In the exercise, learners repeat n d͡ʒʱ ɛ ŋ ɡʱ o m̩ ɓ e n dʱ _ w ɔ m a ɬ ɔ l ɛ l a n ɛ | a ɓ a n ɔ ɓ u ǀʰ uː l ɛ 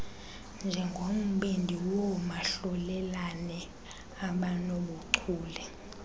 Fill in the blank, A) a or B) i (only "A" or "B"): B